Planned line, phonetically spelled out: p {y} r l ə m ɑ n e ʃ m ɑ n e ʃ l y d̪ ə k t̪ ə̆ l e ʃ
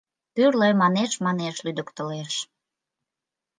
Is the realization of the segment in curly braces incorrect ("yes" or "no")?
no